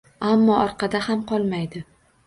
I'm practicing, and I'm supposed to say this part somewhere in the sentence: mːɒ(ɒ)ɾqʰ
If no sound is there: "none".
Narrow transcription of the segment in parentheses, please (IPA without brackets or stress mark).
ɒ